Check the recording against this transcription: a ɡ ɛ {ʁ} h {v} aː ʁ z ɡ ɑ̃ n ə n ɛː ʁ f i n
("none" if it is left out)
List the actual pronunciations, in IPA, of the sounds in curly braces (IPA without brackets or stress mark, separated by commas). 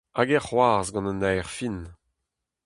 ʁ, w